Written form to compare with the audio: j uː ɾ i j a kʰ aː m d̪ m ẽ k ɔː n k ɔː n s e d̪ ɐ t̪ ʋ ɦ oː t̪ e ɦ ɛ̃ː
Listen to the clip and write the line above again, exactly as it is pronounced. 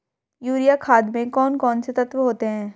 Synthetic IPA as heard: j uː ɾ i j a kʰ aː d̪ m ẽ k ɔː n k ɔː n s e t̪ ɐ t̪ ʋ ɦ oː t̪ e ɦ ɛ̃ː